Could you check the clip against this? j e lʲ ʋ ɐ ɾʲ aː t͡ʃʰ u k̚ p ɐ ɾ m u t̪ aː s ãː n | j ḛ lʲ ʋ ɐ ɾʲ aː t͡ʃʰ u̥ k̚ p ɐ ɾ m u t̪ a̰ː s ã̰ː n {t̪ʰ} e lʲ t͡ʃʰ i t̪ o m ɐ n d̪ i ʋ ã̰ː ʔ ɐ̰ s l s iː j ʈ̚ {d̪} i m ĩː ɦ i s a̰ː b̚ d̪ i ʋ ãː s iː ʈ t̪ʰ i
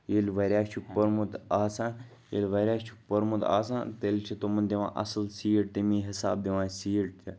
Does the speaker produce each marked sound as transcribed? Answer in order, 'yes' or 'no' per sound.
no, no

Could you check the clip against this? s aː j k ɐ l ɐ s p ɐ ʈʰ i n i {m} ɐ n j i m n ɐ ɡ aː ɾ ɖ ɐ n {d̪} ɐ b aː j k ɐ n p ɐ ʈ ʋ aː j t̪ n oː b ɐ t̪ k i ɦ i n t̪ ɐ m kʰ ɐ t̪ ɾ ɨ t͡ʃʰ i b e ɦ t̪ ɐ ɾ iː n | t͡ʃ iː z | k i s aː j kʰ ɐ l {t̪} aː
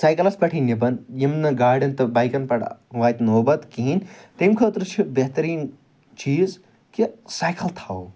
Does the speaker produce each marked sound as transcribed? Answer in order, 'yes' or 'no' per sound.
no, no, no

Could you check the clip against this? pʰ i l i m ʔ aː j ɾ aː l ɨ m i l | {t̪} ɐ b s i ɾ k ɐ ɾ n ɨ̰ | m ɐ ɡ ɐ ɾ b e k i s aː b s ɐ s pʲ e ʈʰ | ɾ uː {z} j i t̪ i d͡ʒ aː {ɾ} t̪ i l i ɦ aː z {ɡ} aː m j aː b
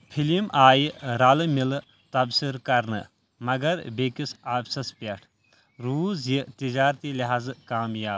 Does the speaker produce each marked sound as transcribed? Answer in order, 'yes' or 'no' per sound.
yes, yes, yes, no

